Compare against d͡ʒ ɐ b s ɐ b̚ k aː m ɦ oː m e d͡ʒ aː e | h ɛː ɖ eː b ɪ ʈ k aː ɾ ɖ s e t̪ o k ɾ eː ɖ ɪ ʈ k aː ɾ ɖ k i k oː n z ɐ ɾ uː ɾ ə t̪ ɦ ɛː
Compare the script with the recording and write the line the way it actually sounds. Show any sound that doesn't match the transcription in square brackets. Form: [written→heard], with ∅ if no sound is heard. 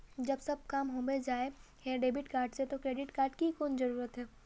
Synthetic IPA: d͡ʒ ɐ b s ɐ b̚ k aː m ɦ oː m e d͡ʒ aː e | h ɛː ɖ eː b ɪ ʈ k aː ɾ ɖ s e t̪ o k ɾ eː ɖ ɪ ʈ k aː ɾ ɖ k i k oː n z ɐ ɾ uː ɾ ə t̪ ɦ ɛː